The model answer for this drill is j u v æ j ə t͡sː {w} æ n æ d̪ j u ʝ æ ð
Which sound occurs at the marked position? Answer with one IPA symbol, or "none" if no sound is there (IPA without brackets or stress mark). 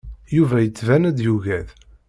v